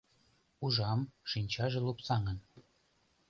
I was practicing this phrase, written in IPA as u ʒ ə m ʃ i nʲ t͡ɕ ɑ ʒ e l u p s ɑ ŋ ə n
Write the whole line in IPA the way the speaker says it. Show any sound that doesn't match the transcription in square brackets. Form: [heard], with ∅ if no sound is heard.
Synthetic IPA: u ʒ [ɑ] m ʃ i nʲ t͡ɕ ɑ ʒ e l u p s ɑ ŋ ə n